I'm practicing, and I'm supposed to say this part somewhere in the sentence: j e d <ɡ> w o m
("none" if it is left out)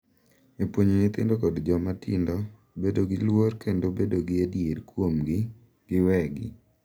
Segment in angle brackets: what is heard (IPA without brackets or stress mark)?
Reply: k